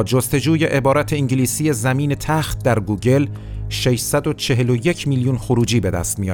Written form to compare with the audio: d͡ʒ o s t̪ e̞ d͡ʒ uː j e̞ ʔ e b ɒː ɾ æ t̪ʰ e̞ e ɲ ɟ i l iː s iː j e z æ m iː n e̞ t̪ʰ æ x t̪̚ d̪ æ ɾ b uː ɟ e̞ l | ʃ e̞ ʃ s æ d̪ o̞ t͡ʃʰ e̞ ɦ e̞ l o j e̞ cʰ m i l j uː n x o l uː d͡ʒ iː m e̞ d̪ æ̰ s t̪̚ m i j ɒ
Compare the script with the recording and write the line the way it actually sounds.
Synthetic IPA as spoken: d͡ʒ o s t̪ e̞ d͡ʒ uː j e̞ ʔ e b ɒː ɾ æ t̪ʰ e̞ i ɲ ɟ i l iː s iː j e z æ m iː n e̞ t̪ʰ æ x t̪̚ d̪ æ ɾ ɡ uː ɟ e̞ l | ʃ e̞ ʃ s æ d̪ o̞ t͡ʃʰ e̞ ɦ e̞ l o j e̞ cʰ m i l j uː n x o ɾ uː d͡ʒ iː b e̞ d̪ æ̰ s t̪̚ m i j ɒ